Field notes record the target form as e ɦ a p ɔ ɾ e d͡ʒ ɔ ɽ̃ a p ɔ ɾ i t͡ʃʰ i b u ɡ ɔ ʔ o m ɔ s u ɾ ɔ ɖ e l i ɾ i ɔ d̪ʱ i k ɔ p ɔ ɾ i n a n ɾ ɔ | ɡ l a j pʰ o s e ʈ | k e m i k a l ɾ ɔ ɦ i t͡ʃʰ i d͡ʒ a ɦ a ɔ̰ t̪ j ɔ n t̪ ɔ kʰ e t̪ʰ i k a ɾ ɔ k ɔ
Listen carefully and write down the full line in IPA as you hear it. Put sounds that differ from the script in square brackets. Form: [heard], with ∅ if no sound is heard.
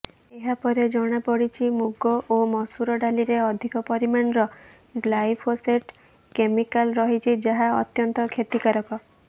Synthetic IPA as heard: e ɦ a p ɔ ɾ e d͡ʒ ɔ ɽ̃ a p ɔ [ɽ] i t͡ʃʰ i [m] u ɡ ɔ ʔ o m ɔ s u ɾ ɔ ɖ [a] l i ɾ [e] ɔ d̪ʱ i k ɔ p ɔ ɾ i [m] a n ɾ ɔ | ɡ l a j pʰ o s e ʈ | k e m i k a l ɾ ɔ ɦ i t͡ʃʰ i d͡ʒ a ɦ a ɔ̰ t̪ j ɔ n t̪ ɔ kʰ e [t̪] i k a ɾ ɔ k ɔ

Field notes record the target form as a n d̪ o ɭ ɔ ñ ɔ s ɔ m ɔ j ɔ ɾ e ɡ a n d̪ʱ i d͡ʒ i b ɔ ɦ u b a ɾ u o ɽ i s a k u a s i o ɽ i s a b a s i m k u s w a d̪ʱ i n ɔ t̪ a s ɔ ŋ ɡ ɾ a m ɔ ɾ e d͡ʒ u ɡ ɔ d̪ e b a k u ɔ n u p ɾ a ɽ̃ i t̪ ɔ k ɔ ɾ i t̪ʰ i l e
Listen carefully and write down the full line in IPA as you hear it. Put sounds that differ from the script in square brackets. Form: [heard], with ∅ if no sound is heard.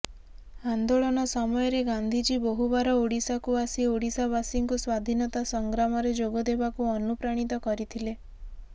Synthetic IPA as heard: a n d̪ o ɭ ɔ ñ ɔ s ɔ m ɔ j ɔ ɾ e ɡ a n d̪ʱ i d͡ʒ i b ɔ ɦ u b a ɾ [ɔ] o ɽ i s a k u a s i o ɽ i s a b a s i [ŋ] k u s w a d̪ʱ i n ɔ t̪ a s ɔ ŋ ɡ ɾ a m ɔ ɾ e d͡ʒ [o] ɡ ɔ d̪ e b a k u ɔ n u p ɾ a ɽ̃ i t̪ ɔ k ɔ ɾ i t̪ʰ i l e

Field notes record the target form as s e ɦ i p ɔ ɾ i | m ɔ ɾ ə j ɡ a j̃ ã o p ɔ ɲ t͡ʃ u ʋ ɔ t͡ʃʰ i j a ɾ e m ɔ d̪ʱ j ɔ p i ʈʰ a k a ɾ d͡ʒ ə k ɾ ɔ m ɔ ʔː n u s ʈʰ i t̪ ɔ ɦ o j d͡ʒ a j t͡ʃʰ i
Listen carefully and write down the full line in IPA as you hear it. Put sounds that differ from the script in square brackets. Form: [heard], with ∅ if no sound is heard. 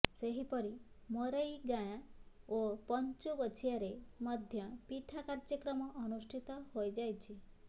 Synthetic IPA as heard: s e ɦ i p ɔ ɾ i | m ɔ ɾ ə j ɡ a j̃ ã o p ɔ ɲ t͡ʃ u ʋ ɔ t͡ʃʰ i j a ɾ e m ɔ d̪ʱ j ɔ p i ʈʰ a k a ɾ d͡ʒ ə k ɾ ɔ m ɔ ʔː n u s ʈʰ i t̪ ɔ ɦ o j d͡ʒ a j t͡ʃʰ i

